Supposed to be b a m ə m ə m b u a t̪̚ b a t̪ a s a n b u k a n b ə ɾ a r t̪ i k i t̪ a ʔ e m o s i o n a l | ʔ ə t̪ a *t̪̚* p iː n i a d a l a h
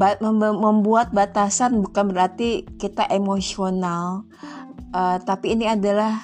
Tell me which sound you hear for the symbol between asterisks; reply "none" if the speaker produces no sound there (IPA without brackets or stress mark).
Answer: none